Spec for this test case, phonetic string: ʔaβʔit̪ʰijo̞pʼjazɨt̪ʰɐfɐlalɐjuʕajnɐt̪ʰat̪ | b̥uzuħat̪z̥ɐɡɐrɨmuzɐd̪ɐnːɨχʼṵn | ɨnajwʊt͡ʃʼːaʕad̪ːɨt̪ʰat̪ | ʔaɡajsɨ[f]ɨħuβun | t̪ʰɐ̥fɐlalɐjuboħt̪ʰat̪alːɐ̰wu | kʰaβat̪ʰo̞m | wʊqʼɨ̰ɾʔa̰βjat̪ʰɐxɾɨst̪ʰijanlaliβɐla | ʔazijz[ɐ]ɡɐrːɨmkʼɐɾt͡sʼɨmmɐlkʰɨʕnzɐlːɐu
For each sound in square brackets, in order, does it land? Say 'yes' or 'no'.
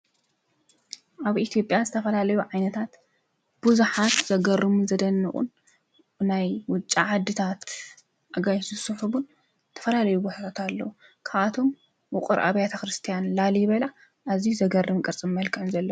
no, yes

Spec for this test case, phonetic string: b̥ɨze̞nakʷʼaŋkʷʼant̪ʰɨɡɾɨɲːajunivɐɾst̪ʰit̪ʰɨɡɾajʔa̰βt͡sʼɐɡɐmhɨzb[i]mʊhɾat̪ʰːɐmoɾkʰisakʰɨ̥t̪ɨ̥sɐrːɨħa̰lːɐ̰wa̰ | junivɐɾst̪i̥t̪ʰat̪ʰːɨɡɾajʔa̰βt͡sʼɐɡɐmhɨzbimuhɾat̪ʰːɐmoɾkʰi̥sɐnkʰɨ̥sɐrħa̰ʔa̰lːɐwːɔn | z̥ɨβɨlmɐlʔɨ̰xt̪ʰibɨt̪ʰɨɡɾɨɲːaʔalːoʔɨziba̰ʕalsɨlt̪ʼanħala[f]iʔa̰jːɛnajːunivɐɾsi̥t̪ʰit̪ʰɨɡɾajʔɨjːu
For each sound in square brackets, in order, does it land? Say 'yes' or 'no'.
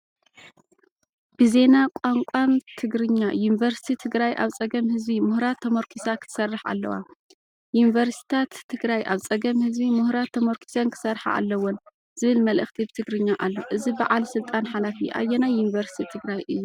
yes, yes

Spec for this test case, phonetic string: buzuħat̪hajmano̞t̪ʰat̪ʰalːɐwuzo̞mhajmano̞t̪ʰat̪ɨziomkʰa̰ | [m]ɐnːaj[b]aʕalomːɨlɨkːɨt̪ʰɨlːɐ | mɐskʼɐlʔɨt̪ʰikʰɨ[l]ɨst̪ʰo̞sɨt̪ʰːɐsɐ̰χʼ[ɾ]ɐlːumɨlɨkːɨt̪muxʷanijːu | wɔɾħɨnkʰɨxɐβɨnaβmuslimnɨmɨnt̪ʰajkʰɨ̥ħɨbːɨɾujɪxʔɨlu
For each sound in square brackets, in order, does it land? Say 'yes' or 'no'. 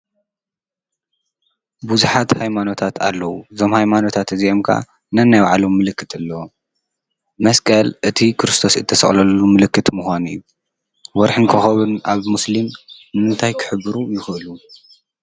no, no, no, no

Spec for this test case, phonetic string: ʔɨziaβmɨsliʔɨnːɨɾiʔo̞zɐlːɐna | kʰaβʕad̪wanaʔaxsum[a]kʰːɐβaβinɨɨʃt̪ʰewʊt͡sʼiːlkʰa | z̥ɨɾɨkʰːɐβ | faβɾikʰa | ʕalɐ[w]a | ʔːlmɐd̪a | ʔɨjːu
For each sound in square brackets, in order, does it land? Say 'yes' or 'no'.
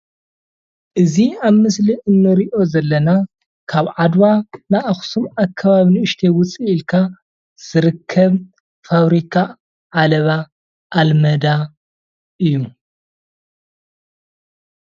yes, no

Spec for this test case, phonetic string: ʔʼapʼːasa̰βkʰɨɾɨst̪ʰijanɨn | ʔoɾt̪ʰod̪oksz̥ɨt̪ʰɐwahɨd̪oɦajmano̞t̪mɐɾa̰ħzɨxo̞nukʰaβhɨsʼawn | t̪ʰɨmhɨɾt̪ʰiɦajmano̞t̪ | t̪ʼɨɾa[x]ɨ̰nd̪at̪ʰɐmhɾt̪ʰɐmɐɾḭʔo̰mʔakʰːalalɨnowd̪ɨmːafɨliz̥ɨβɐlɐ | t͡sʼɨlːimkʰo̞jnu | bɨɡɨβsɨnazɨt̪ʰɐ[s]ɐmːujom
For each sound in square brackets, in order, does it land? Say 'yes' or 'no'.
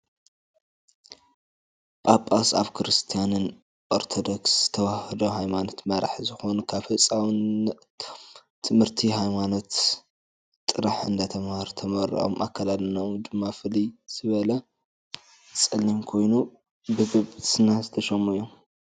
no, no

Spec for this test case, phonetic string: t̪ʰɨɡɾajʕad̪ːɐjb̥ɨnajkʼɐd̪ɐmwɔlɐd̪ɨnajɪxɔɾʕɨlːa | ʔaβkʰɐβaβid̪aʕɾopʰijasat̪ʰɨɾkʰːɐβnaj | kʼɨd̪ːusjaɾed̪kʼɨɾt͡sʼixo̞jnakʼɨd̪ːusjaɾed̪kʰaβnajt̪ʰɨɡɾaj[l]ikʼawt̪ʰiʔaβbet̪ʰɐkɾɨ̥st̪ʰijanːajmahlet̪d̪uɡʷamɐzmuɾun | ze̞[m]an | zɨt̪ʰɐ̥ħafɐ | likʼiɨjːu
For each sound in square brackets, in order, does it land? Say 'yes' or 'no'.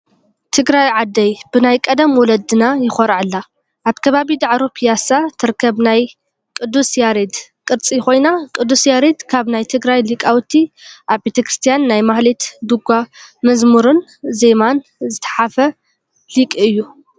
yes, yes

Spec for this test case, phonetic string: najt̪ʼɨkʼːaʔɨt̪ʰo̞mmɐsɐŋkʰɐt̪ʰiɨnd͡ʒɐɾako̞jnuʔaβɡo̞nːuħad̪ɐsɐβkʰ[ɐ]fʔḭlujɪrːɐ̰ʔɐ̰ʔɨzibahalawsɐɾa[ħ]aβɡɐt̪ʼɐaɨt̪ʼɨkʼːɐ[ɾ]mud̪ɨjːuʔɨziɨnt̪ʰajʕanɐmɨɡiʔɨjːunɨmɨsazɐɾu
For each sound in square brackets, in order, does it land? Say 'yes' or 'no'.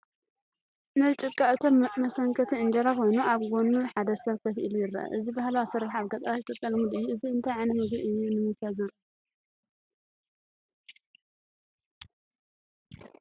yes, yes, no

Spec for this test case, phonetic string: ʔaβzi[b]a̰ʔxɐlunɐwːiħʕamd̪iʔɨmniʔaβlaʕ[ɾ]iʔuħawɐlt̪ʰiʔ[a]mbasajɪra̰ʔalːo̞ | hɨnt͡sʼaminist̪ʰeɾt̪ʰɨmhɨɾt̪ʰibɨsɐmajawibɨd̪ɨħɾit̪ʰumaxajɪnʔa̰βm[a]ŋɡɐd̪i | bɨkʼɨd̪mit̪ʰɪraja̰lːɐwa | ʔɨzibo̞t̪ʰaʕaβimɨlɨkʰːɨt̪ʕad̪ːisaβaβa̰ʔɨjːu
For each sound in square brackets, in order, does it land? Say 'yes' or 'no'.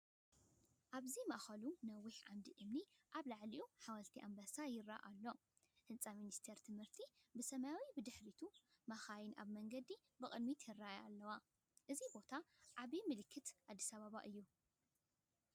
no, no, yes, no

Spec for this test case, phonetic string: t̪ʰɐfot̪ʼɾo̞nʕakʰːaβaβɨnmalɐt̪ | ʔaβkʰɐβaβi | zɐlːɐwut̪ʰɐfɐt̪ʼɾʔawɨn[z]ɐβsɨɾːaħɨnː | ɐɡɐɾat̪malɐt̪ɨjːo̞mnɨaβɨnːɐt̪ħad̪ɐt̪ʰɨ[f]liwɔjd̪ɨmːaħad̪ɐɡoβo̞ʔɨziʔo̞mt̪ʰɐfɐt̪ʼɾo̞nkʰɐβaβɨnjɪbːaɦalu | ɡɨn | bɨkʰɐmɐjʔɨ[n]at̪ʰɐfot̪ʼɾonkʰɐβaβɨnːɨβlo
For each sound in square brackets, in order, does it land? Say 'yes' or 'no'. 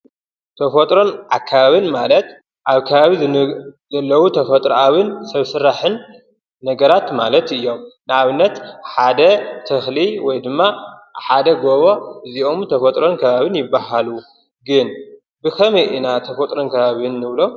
no, no, yes

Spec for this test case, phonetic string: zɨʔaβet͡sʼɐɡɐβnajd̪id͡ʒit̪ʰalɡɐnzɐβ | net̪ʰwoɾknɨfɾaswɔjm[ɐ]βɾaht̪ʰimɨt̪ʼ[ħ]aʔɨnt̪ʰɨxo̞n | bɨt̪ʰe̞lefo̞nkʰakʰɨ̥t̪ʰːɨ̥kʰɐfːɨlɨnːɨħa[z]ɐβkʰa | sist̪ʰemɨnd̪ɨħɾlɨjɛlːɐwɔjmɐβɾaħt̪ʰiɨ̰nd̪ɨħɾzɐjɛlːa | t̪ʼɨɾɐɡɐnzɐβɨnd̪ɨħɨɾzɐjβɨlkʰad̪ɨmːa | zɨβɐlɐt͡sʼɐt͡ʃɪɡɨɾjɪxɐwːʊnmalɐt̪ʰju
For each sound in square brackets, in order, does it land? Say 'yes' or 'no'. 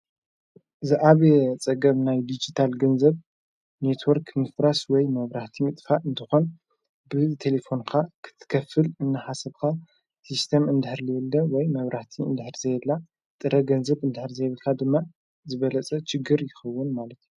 yes, no, no

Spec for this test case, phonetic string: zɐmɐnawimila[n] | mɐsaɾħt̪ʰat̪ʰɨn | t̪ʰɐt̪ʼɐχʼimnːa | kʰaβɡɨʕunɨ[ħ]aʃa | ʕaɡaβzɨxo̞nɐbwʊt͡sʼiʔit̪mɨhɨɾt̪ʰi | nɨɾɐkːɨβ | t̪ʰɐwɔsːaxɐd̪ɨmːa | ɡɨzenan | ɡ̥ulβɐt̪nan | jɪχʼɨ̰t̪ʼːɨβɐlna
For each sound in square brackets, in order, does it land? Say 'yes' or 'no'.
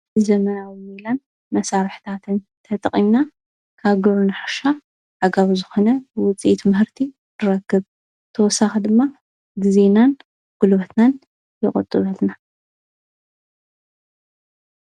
yes, yes

